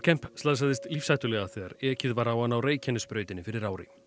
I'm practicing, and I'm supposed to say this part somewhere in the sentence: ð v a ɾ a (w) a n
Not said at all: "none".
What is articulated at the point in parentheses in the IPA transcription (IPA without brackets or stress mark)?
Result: w